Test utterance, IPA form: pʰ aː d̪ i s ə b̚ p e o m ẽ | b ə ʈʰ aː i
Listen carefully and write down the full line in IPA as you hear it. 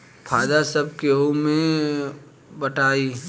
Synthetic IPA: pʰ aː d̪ a s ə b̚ k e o m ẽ | b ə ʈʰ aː i